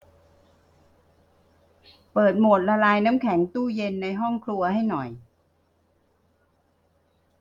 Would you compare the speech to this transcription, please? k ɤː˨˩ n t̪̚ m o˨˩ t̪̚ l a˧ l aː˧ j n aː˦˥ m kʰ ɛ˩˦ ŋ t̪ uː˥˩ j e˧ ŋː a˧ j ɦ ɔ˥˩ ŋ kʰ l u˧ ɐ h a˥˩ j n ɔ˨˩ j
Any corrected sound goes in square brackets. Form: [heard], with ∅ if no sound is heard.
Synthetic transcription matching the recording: [p] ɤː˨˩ [∅] t̪̚ m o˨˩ t̪̚ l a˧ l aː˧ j n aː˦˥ m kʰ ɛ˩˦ ŋ t̪ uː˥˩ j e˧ [nː] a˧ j ɦ ɔ˥˩ ŋ kʰ l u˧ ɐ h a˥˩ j n ɔ˨˩ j